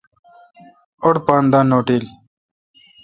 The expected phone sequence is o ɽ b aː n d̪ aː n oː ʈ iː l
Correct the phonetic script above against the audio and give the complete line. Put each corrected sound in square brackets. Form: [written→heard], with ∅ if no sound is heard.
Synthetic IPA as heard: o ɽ [b→p] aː n d̪ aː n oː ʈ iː l